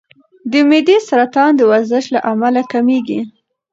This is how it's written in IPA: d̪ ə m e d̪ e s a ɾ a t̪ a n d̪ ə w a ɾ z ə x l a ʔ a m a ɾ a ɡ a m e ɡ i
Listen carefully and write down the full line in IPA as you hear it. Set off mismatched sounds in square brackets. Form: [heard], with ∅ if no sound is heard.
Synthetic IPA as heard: d̪ ə m e d̪ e s a ɾ a t̪ [ɑ] n d̪ ə w a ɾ z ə [ʃ] l a ʔ a m a [l] a [k] a m e ɡ i